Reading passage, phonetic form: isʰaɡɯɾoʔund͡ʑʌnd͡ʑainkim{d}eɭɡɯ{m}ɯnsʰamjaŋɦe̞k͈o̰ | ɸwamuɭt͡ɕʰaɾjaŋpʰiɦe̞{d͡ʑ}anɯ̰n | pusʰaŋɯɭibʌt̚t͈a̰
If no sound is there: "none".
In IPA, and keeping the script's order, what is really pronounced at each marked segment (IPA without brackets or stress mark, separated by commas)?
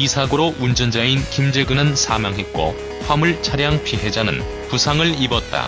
d͡ʑ, n, d͡ʑ